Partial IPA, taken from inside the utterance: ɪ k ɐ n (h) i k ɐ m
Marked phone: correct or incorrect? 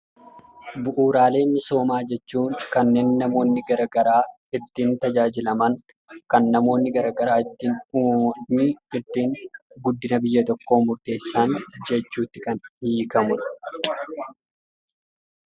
correct